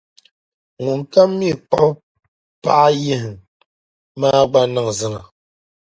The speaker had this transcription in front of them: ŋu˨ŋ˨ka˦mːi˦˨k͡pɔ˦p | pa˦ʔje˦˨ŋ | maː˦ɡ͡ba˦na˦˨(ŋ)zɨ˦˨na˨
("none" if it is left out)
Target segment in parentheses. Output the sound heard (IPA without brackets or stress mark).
ŋ